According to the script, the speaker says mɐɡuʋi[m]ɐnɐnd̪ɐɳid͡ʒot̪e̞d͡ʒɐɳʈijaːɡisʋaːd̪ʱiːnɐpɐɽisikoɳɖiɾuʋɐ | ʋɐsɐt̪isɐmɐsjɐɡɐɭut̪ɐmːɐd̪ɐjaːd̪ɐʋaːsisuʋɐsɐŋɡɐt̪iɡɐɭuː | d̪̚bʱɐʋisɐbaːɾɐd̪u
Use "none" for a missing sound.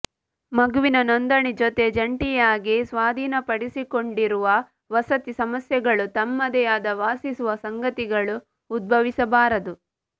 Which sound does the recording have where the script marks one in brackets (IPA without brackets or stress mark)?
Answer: n